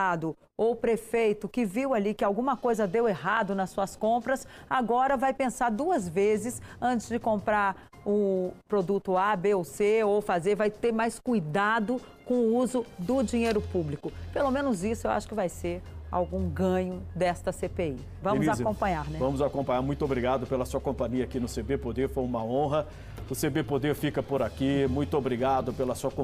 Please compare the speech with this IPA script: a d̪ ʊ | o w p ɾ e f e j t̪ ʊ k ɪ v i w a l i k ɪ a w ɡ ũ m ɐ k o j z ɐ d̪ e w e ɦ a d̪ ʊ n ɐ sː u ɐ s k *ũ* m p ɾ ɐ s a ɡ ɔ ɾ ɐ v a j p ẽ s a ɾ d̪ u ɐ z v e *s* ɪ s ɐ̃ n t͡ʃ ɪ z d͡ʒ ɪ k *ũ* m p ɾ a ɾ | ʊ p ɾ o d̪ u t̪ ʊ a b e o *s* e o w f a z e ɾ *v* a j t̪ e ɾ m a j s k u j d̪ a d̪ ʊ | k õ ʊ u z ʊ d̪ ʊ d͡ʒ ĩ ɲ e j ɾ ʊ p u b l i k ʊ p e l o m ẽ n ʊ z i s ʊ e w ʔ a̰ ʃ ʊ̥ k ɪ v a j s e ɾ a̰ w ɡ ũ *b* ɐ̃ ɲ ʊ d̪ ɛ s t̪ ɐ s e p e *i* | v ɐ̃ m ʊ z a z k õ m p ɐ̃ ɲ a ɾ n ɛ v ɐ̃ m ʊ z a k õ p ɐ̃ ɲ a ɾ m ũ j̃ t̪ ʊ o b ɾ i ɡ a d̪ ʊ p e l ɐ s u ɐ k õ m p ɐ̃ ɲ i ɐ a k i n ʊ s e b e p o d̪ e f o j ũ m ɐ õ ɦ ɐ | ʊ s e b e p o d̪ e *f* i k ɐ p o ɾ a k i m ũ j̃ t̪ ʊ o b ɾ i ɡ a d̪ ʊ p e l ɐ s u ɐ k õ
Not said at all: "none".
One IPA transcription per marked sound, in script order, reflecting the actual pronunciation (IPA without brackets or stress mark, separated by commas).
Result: õ, z, õ, s, v, ɡ, i, f